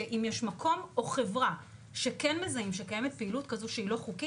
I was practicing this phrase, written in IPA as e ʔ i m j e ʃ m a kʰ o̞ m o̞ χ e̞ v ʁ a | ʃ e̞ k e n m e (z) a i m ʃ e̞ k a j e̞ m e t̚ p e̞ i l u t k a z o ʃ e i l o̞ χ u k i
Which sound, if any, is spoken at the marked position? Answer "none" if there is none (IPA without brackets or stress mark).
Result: z